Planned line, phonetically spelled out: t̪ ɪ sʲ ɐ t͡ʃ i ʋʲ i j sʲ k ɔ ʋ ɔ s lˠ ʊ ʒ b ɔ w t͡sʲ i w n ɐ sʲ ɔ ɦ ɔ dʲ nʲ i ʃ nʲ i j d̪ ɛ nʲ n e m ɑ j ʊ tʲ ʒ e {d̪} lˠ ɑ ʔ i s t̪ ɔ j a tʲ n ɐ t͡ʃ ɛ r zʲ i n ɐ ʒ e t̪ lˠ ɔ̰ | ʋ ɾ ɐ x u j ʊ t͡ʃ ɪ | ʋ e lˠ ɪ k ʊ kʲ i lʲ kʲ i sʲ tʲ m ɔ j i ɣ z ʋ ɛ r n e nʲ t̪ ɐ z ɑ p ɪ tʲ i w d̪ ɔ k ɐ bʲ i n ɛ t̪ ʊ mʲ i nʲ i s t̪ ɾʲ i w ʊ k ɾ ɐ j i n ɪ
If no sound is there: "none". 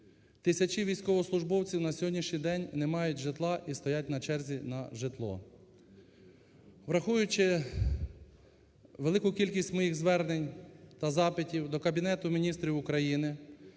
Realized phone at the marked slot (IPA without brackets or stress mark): t̪